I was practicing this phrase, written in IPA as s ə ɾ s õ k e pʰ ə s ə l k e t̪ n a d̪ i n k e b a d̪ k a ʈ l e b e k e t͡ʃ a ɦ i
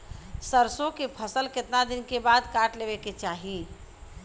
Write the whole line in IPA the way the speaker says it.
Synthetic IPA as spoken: s ə ɾ s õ k e pʰ ə s ə l k e t̪ n a d̪ i n k e b a d̪ k a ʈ l e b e k e t͡ʃ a ɦ i